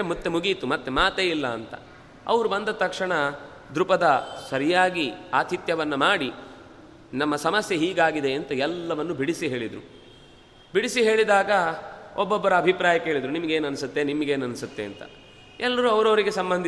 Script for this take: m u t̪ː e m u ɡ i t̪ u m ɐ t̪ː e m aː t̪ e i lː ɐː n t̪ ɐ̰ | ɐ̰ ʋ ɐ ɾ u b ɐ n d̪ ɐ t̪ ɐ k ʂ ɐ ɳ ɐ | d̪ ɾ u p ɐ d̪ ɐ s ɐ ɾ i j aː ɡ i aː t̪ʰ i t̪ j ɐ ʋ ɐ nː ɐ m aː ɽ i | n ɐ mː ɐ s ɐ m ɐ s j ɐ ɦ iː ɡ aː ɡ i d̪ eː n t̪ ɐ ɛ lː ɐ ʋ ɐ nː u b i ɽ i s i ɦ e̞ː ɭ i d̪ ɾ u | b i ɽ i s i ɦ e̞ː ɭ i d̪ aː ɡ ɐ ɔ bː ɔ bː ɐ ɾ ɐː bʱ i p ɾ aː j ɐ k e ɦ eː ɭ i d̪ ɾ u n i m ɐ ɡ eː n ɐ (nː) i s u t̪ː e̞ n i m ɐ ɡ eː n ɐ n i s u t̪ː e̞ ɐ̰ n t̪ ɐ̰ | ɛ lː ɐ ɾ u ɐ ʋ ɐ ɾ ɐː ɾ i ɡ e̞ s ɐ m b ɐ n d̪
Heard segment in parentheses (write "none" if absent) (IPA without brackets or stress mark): n